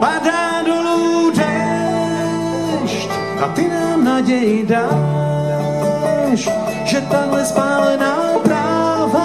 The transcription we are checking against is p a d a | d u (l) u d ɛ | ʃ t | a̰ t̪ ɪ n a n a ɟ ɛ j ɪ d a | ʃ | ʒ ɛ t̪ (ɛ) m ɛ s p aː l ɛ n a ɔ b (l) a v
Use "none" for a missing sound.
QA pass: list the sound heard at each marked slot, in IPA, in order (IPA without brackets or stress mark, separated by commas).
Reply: l, a, ɾ